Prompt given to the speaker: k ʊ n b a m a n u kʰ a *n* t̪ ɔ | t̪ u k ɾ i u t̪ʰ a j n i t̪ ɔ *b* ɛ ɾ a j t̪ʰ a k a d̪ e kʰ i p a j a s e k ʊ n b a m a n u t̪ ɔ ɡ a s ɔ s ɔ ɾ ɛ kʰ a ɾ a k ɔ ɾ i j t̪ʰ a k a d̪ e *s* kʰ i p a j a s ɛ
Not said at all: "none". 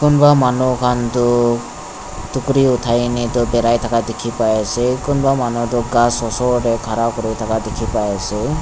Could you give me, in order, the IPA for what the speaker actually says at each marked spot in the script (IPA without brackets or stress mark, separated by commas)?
n, b, none